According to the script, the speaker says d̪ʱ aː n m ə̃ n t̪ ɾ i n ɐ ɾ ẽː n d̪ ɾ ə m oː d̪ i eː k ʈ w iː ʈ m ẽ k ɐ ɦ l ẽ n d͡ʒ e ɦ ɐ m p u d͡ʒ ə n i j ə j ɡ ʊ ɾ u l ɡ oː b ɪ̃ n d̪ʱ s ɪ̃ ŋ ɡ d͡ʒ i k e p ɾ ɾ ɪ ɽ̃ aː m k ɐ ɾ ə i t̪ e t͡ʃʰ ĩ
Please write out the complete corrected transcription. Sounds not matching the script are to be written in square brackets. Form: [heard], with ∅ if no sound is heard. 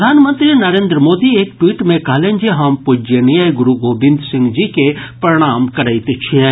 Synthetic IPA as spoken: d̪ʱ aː n m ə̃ n t̪ ɾ i n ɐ ɾ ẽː n d̪ ɾ ə m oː d̪ i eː k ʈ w iː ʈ m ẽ k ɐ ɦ l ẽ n d͡ʒ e ɦ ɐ m p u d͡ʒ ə n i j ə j ɡ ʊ ɾ u [∅] ɡ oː b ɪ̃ n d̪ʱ s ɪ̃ ŋ ɡ d͡ʒ i k e p ɾ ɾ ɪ ɽ̃ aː m k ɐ ɾ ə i t̪ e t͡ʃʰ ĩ

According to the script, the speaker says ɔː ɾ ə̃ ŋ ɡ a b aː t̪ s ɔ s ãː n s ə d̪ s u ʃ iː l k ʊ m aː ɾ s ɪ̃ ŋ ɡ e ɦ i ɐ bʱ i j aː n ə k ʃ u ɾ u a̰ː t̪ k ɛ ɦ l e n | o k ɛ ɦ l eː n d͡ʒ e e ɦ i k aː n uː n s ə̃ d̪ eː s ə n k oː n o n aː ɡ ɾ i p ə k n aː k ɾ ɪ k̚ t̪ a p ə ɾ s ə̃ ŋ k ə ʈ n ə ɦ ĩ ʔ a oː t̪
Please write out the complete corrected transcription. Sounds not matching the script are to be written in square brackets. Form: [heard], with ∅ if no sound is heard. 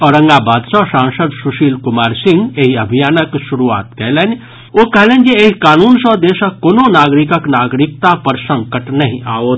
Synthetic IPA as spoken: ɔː ɾ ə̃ ŋ ɡ a b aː [d̪] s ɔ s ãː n s ə d̪ s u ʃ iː l k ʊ m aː ɾ s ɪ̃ ŋ ɡ e ɦ i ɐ bʱ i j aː n ə k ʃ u ɾ u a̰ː t̪ k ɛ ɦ l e n | o k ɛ ɦ l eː n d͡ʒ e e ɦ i k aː n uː n s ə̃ d̪ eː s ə [∅] k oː n o n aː ɡ ɾ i [k] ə k n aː [ɡ] ɾ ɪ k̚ t̪ a p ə ɾ s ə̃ ŋ k ə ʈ n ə ɦ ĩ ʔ a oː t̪

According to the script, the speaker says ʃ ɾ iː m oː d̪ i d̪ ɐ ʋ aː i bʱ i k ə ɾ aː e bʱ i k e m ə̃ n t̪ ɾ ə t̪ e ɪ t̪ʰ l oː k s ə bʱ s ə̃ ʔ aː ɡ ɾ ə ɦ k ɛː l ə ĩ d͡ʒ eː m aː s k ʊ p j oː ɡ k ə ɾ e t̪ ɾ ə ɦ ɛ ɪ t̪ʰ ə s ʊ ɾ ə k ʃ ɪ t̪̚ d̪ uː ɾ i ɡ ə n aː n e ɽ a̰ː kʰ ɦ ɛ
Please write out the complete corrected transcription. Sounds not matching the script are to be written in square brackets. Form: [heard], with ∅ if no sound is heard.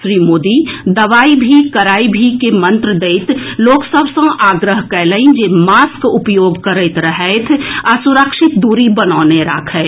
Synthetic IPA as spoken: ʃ ɾ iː m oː d̪ i d̪ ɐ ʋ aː i bʱ i k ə ɾ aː [i] bʱ i k e m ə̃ n t̪ ɾ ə [d̪] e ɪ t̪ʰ l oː k s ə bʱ s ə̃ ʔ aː ɡ ɾ ə ɦ k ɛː l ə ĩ d͡ʒ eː m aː s k ʊ p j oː ɡ k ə ɾ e t̪ ɾ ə ɦ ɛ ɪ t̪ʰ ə s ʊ ɾ ə k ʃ ɪ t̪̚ d̪ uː ɾ i [b] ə n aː n e [ɾ] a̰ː kʰ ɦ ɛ

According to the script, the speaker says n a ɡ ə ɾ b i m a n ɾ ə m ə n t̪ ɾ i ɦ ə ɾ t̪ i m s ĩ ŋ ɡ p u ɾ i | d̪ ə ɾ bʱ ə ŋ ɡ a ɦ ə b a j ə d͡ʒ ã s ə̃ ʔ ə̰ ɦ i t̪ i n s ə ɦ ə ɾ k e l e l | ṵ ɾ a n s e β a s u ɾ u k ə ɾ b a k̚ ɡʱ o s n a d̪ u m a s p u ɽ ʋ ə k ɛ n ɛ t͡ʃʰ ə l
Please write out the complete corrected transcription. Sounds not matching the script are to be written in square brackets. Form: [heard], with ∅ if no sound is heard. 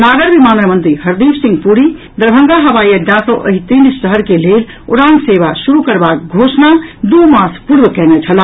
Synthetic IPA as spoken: n a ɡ ə ɾ b i m a n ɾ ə m ə n t̪ ɾ i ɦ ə ɾ [d̪] i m s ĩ ŋ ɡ p u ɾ i | d̪ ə ɾ bʱ ə ŋ ɡ a ɦ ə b a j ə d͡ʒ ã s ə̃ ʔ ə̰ ɦ i t̪ i n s ə ɦ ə ɾ k e l e l | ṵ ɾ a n s e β a s u ɾ u k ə ɾ b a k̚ ɡʱ o s n a d̪ u m a s p u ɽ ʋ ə k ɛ n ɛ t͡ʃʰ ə l

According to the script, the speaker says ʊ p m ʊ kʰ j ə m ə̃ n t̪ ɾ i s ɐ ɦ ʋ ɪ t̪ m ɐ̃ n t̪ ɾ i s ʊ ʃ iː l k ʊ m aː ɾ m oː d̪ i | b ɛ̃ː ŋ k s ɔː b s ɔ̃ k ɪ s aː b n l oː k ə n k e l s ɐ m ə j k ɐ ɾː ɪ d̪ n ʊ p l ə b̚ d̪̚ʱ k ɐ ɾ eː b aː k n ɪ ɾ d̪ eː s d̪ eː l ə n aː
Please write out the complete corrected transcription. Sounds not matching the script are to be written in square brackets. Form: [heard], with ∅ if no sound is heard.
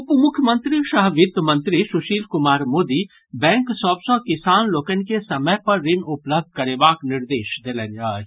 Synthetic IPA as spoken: ʊ p m ʊ kʰ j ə m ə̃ n t̪ ɾ i [ʃ] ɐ ɦ ʋ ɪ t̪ m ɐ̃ n t̪ ɾ i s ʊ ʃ iː l k ʊ m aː ɾ m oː d̪ i | b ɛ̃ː ŋ k s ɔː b s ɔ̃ k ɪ s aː [∅] n l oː k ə n k e [∅] s ɐ m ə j [p] ɐ ɾː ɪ [∅] n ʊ p l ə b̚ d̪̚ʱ k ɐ ɾ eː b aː k n ɪ ɾ d̪ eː [ʃ] d̪ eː l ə n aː

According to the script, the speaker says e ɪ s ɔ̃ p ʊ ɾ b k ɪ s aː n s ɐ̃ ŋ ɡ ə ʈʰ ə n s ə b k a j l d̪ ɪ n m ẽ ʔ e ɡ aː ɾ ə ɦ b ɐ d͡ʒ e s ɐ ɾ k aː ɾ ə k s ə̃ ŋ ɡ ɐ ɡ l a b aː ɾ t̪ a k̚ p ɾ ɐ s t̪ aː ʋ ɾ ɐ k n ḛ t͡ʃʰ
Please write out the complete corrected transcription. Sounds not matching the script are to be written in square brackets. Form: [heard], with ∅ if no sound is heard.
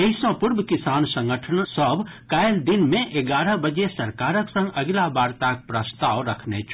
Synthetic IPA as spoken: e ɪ s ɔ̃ p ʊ ɾ b k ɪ s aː n s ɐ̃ ŋ ɡ ə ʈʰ ə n s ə b k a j l d̪ ɪ n m ẽ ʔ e ɡ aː ɾ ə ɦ b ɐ d͡ʒ e s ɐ ɾ k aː ɾ ə k s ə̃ ŋ ɡ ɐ ɡ l a b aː ɾ t̪ a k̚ p ɾ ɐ s t̪ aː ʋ ɾ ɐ [kʰ] n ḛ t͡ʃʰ

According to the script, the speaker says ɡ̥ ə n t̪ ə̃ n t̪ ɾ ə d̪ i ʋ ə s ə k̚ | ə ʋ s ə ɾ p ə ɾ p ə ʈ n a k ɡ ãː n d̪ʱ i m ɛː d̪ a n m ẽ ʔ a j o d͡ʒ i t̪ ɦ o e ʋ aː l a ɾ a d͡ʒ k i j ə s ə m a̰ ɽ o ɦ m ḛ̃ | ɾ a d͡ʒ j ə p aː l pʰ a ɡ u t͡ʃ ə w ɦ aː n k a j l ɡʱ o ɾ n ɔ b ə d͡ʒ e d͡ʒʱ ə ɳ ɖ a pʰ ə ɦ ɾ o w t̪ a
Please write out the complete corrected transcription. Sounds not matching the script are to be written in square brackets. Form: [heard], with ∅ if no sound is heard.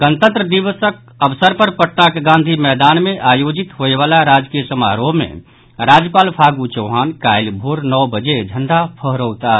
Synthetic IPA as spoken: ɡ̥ ə n t̪ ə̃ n t̪ ɾ ə d̪ i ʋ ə s ə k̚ | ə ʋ s ə ɾ p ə ɾ p ə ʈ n a k ɡ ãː n d̪ʱ i m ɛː d̪ a n m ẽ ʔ a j o d͡ʒ i t̪ ɦ o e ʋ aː l a ɾ a d͡ʒ k i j ə s ə m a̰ [ɾ] o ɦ m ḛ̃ | ɾ a d͡ʒ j ə p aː l pʰ a ɡ u t͡ʃ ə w ɦ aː n k a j l [bʱ] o ɾ n ɔ b ə d͡ʒ e d͡ʒʱ ə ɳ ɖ a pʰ ə ɦ ɾ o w t̪ a

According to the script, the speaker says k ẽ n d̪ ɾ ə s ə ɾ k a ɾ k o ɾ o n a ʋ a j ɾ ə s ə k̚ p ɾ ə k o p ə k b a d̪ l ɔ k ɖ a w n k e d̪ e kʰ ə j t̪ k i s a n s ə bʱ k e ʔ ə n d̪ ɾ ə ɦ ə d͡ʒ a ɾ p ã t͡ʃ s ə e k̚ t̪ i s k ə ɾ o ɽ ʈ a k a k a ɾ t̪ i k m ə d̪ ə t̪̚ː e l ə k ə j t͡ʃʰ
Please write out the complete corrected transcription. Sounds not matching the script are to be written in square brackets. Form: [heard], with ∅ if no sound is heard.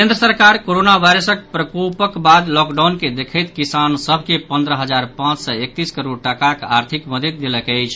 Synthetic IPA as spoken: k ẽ n d̪ ɾ ə s ə ɾ k a ɾ k o ɾ o n a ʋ a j ɾ ə s ə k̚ p ɾ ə k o p ə k b a d̪ l ɔ k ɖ a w n k e d̪ e kʰ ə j t̪ k i s a n s ə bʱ k e [p] ə n d̪ ɾ ə ɦ ə d͡ʒ a ɾ p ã t͡ʃ s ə e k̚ t̪ i s k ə ɾ o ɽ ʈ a k a k a ɾ [t̪ʰ] i k m ə d̪ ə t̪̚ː e l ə k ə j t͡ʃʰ

